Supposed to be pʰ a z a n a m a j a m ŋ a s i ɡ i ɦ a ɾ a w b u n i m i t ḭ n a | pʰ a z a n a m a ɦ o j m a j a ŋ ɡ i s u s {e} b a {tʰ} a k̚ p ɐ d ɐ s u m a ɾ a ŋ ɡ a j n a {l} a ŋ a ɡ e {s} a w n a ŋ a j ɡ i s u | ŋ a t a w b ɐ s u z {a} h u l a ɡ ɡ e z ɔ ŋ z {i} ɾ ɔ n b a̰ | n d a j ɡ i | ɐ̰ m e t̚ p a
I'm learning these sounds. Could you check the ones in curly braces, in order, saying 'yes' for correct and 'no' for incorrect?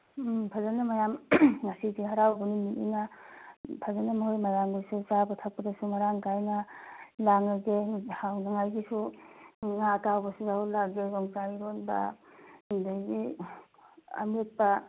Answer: no, yes, yes, no, yes, no

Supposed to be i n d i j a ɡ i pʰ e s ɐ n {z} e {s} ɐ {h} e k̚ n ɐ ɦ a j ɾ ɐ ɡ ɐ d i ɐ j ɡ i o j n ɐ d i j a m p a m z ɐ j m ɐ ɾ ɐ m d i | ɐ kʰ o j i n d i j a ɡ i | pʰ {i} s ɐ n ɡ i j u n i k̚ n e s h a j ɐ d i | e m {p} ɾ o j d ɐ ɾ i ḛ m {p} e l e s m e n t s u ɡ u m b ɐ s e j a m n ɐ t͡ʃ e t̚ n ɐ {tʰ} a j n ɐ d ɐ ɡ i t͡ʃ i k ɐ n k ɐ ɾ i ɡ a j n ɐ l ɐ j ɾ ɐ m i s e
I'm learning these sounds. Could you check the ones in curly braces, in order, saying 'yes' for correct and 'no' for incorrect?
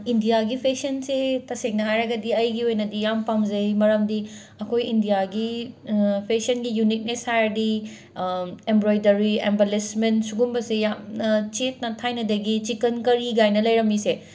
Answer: no, no, no, no, no, no, yes

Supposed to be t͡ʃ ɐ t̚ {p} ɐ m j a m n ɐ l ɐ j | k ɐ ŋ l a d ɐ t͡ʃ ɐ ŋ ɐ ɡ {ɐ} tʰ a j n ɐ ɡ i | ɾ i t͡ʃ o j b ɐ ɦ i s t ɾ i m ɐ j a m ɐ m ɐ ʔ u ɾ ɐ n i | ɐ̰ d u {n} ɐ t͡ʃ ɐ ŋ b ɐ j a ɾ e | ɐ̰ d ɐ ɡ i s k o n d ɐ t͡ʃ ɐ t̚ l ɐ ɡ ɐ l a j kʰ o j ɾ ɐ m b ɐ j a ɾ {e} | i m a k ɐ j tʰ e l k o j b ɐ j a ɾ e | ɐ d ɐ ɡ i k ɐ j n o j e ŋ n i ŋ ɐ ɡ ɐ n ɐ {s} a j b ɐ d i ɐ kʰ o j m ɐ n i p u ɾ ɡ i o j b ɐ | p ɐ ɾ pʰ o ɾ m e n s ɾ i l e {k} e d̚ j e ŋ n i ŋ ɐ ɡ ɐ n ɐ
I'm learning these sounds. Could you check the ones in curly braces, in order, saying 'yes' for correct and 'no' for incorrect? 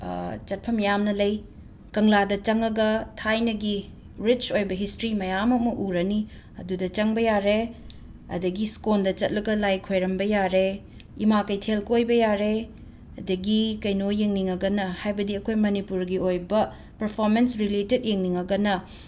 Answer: no, yes, no, yes, no, no

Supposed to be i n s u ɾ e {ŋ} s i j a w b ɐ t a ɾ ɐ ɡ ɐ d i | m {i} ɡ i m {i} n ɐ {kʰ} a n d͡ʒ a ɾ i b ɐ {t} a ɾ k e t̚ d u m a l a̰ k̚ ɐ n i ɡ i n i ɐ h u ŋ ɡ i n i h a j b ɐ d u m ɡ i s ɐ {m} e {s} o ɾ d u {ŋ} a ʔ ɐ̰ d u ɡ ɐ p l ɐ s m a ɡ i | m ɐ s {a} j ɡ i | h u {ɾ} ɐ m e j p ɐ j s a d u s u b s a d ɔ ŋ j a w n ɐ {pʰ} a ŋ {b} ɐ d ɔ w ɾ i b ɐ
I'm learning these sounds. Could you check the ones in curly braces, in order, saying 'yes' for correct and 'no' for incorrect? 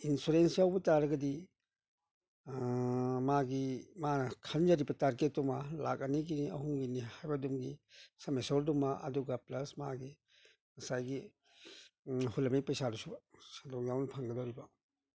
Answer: no, no, no, yes, yes, yes, yes, no, yes, no, yes, no

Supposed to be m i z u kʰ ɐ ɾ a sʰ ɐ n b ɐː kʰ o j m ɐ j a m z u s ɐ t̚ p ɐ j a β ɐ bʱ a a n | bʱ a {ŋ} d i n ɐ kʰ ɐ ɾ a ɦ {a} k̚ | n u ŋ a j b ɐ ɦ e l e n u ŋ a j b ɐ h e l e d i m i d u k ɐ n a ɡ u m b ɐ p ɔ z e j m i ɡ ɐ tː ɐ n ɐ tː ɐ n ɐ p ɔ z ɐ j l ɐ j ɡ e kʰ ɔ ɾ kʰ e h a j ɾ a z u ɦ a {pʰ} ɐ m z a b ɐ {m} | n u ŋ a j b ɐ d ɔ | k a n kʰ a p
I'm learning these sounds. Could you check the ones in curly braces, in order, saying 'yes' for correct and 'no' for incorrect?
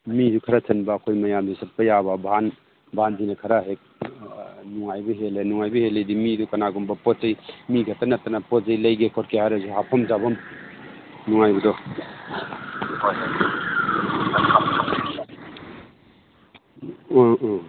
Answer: no, no, yes, yes

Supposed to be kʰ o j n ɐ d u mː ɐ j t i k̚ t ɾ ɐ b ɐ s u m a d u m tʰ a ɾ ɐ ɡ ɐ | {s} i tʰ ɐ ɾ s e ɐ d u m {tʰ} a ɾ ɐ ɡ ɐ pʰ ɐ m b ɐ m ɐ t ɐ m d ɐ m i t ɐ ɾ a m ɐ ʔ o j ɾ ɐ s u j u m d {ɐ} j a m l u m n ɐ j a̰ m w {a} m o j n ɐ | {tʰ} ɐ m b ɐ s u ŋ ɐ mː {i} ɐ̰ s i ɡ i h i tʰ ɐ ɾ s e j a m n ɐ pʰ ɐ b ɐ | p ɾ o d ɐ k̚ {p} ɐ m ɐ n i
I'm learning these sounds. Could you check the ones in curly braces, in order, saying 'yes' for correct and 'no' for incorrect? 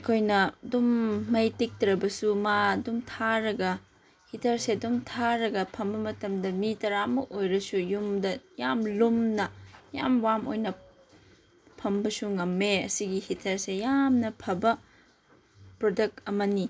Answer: no, yes, yes, yes, no, no, no

